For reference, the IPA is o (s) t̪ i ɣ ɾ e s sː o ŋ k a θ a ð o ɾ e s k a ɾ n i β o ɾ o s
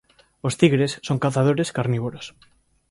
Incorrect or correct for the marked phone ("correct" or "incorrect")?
correct